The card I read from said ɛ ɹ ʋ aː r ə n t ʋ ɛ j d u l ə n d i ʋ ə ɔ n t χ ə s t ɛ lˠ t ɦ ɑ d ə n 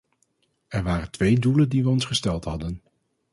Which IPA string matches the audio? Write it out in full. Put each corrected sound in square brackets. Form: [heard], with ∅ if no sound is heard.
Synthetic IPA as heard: ɛ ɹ ʋ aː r ə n t ʋ [e] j d u l ə n d i ʋ ə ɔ n [s] χ ə s t ɛ lˠ t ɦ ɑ d ə n